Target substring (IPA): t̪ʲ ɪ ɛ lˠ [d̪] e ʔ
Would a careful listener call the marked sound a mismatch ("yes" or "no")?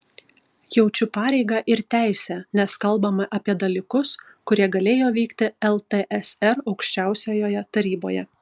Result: yes